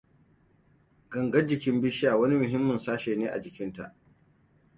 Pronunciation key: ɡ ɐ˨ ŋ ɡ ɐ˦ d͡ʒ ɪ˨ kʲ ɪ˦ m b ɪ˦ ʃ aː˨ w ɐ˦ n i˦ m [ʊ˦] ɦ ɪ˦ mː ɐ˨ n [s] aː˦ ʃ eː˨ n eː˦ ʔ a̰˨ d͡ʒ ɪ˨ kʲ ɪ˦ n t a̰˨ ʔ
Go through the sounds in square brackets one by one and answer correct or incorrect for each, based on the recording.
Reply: incorrect: ʊ˨, correct

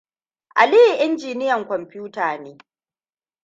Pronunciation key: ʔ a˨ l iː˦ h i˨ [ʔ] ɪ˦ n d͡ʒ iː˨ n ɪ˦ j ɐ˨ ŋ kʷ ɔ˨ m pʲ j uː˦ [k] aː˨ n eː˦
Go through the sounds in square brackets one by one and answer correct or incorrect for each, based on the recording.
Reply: correct, incorrect: t

